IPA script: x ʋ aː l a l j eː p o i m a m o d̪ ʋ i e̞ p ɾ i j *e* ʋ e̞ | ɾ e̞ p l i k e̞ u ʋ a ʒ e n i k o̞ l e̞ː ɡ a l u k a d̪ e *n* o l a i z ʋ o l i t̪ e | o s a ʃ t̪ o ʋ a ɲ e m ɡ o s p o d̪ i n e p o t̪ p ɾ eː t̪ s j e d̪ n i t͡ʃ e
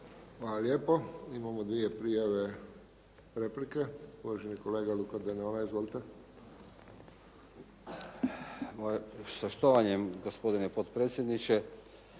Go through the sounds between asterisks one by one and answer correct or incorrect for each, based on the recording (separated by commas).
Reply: incorrect, correct